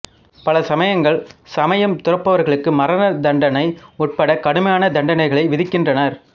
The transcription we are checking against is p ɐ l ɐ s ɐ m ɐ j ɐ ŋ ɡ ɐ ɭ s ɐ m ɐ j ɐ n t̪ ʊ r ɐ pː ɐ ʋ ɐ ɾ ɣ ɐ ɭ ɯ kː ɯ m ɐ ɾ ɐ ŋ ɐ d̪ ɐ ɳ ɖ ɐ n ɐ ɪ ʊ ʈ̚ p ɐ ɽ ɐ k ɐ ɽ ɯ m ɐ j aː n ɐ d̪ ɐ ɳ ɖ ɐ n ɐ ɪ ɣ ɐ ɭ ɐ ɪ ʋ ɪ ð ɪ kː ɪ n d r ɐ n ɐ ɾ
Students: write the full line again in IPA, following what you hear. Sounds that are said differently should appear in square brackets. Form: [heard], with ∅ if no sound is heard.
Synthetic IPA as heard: p ɐ l ɐ s ɐ m ɐ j ɐ ŋ ɡ ɐ ɭ s ɐ m ɐ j ɐ [m] t̪ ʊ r ɐ pː ɐ ʋ ɐ ɾ ɣ ɐ ɭ ɯ kː ɯ m ɐ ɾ ɐ [n] ɐ d̪ ɐ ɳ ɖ ɐ n ɐ ɪ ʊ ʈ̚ p ɐ ɽ ɐ k ɐ ɽ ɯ m ɐ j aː n ɐ d̪ ɐ ɳ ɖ ɐ n ɐ ɪ ɣ ɐ ɭ ɐ ɪ ʋ ɪ ð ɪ kː ɪ n d r ɐ n ɐ ɾ